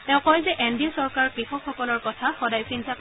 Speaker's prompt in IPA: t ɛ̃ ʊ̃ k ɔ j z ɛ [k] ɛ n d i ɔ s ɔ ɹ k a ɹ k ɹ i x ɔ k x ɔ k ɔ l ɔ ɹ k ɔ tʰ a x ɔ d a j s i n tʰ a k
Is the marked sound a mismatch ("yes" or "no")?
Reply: yes